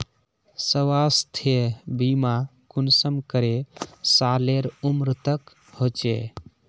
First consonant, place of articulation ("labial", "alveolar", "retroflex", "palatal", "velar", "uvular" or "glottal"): alveolar